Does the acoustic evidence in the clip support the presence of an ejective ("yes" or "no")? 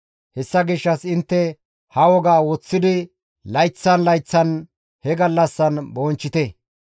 no